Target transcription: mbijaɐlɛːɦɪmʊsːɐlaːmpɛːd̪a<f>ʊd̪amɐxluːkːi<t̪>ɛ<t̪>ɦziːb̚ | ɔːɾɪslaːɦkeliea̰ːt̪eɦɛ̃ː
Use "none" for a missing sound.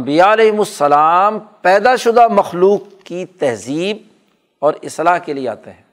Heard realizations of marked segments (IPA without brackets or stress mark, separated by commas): ʃ, t̪, none